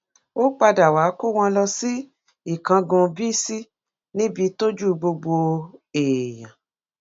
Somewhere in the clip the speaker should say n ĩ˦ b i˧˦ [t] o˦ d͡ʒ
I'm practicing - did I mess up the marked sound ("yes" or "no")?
no